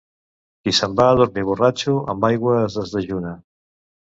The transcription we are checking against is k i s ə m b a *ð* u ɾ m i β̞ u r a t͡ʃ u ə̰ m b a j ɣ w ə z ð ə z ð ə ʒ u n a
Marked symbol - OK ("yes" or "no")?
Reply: yes